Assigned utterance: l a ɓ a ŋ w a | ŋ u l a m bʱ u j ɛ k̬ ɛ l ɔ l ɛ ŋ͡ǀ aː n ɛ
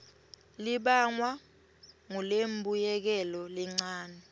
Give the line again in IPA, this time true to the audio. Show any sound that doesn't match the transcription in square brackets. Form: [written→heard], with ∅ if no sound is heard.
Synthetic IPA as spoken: l [a→i] ɓ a ŋ w a | ŋ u l [a→e] m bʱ u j ɛ k̬ ɛ l ɔ l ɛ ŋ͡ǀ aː n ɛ

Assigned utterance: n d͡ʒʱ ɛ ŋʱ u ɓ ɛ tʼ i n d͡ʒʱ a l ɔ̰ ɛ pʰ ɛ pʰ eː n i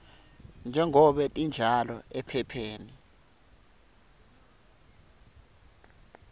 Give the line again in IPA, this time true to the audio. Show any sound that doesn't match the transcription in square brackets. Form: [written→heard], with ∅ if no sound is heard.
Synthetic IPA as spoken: n d͡ʒʱ ɛ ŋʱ [u→ɔ] ɓ ɛ tʼ i n d͡ʒʱ a l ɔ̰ ɛ pʰ ɛ pʰ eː n i

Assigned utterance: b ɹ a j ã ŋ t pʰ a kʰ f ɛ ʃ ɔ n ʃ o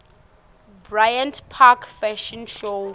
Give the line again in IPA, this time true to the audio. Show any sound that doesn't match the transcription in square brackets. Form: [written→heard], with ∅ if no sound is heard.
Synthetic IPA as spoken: b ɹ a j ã [ŋ→n] t pʰ a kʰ f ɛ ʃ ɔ n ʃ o

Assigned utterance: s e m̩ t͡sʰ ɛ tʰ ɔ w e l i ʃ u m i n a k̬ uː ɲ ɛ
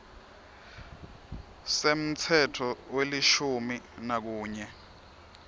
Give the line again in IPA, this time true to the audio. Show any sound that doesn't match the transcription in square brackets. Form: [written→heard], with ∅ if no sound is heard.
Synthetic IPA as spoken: s e m̩ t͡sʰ ɛ tʰ ɔ w e l i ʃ u m i n a k̬ uː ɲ ɛ

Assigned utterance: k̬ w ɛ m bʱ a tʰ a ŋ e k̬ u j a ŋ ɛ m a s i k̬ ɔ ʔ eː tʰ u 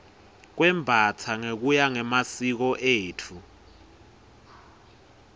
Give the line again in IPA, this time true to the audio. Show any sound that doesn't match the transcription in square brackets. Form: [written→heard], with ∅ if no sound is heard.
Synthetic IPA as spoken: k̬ w ɛ m bʱ a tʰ a ŋ e k̬ u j a ŋ ɛ m a s i k̬ ɔ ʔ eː tʰ u

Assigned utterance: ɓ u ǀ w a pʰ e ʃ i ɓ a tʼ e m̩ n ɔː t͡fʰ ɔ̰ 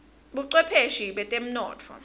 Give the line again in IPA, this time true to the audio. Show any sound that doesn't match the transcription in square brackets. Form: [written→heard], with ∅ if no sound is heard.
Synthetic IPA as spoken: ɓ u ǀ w [a→ɛ] pʰ e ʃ i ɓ [a→ɛ] tʼ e m̩ n ɔː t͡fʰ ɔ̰

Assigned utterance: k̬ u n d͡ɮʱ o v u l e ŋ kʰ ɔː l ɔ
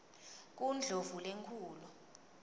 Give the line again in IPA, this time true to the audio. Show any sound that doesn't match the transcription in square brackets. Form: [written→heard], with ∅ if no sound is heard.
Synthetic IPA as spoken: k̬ u n d͡ɮʱ o v u l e ŋ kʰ [ɔː→uː] l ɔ

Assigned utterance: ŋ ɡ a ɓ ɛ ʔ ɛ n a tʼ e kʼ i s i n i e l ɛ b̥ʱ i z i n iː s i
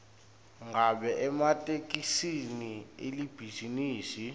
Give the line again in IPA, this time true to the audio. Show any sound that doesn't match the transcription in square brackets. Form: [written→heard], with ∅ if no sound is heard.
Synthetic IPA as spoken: ŋ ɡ a ɓ ɛ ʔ ɛ [n→m] a tʼ e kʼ i s i n i e l [ɛ→i] b̥ʱ i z i n iː s i

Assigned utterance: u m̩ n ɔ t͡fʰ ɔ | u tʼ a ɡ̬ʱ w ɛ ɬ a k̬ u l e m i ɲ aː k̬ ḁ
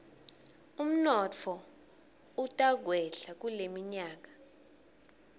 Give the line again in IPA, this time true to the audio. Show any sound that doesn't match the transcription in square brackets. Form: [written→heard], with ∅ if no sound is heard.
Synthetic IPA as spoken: u m̩ n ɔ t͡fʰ ɔ | u tʼ a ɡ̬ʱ w ɛ ɬ a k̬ u l e m i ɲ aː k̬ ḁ

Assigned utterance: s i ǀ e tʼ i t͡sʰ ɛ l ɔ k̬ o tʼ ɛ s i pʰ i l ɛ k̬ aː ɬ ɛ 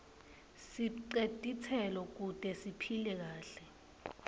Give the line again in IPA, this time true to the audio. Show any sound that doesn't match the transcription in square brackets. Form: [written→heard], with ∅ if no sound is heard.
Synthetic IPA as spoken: s i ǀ e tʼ i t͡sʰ ɛ l ɔ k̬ [o→u] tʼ ɛ s i pʰ i l ɛ k̬ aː ɬ ɛ

